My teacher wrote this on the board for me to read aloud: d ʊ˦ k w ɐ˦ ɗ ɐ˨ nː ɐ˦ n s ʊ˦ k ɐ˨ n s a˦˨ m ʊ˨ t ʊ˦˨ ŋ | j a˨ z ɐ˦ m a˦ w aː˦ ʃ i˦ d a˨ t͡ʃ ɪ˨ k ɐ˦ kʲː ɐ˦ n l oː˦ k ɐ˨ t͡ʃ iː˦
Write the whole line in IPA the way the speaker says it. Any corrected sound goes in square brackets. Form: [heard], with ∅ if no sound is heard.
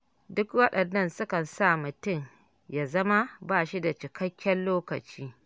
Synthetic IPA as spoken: d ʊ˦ k w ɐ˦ ɗ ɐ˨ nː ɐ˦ n s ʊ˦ k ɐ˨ n s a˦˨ m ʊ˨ t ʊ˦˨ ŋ | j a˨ z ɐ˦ m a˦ [b] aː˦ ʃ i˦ d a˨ t͡ʃ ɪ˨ k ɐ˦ kʲː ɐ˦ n l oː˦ k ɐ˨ t͡ʃ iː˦